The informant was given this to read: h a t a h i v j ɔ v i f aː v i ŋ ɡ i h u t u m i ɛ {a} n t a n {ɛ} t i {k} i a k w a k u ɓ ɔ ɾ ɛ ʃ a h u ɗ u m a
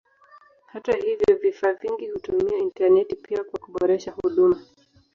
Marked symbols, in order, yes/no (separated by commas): no, yes, no